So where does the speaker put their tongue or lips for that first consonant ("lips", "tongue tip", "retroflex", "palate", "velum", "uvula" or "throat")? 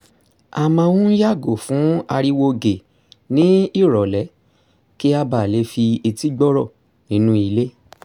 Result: lips